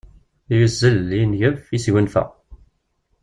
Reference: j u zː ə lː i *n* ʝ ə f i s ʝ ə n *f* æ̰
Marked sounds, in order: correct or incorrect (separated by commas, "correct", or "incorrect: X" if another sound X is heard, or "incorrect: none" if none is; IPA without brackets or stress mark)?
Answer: correct, correct